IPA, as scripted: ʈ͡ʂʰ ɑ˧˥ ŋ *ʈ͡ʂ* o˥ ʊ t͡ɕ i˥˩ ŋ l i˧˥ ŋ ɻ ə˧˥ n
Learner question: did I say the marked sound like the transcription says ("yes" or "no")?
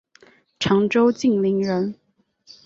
yes